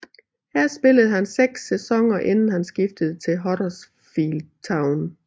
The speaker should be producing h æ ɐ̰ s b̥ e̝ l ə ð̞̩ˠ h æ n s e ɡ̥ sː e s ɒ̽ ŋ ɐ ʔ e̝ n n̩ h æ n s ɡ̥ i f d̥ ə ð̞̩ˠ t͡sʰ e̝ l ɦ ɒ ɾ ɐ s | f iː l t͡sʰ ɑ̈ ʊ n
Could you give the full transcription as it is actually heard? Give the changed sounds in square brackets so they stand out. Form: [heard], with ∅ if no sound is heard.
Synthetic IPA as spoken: h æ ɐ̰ s b̥ e̝ l ə ð̞̩ˠ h æ n s e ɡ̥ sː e s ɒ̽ ŋ ɐ ʔ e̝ n n̩ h æ n s ɡ̥ i f d̥ ə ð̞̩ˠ t͡sʰ e̝ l ɦ ɒ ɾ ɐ s | f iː l t͡sʰ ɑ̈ ʊ n